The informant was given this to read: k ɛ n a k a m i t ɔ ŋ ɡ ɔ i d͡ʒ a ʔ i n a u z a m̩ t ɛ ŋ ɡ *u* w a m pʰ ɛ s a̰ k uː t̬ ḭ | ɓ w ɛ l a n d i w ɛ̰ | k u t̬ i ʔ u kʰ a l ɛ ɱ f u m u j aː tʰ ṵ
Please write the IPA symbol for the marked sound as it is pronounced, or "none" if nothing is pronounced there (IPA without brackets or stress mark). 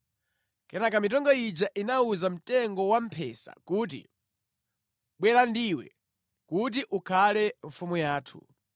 ɔ